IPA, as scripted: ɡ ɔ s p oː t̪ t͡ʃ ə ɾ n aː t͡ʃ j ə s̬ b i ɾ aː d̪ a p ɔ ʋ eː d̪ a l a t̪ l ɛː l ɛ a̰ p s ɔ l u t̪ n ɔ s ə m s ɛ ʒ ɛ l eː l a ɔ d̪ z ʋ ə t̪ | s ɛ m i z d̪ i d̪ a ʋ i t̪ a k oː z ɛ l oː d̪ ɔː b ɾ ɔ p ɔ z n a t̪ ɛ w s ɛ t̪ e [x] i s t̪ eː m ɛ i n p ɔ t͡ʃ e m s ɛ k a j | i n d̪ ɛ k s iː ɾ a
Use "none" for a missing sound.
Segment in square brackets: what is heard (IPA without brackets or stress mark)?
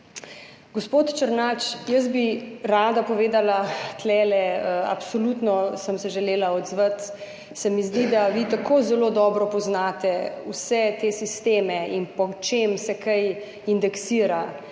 s